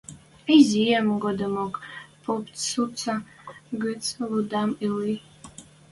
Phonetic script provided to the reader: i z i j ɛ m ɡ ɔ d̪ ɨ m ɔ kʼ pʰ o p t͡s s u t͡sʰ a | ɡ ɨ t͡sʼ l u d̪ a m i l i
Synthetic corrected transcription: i z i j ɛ m ɡ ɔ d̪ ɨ m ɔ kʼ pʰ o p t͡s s u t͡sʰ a | ɡ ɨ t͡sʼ l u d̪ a m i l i